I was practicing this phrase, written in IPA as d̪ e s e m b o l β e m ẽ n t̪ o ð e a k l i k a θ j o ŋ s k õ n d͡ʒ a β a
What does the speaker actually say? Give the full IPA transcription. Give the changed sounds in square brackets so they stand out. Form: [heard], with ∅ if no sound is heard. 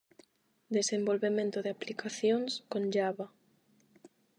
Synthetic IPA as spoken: d̪ e s e m b o l β e m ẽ n t̪ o ð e a [p] l i k a θ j o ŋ s k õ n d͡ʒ a β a